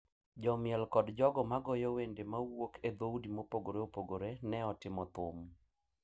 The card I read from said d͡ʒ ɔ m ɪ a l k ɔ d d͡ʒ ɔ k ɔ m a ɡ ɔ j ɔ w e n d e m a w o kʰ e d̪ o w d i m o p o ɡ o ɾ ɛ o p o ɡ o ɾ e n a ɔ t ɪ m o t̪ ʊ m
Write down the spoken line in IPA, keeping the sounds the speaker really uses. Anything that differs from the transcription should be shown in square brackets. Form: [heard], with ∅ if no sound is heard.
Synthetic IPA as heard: d͡ʒ ɔ m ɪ [ɛ] l k ɔ d d͡ʒ ɔ [ɡ] ɔ m a ɡ ɔ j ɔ w e n d e m a w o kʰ e d̪ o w d i m o p o ɡ o ɾ [e] o p o ɡ o ɾ e n [ɛ] ɔ t ɪ m [ɔ] t̪ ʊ m